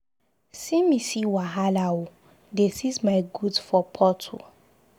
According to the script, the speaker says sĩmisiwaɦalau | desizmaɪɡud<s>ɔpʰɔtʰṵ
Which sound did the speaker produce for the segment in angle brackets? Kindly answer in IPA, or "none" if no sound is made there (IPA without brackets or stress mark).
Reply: f